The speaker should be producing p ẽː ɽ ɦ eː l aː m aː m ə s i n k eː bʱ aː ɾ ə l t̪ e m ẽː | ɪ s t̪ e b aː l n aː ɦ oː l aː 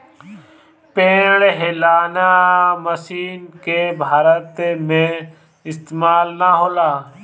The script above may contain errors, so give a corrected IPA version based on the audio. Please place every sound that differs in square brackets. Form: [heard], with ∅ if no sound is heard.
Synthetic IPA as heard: p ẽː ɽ ɦ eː l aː [n] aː m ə s [iː] n k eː bʱ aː ɾ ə [∅] t̪ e m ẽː | ɪ s t̪ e [m] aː l n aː ɦ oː l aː